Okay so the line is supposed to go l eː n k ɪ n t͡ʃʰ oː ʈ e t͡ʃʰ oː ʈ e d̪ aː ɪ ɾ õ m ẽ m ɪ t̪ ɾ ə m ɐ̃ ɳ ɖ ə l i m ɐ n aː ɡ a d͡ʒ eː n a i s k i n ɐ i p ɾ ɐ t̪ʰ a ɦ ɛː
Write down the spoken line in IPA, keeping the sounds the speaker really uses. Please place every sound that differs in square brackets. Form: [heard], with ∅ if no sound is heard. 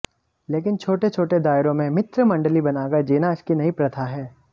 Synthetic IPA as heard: l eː [∅] k ɪ n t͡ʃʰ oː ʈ e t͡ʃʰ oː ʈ e d̪ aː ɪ ɾ õ m ẽ m ɪ t̪ ɾ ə m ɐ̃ ɳ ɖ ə l i [b] ɐ n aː ɡ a d͡ʒ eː n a [ɪ] s k i n ɐ i p ɾ ɐ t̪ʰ a ɦ ɛː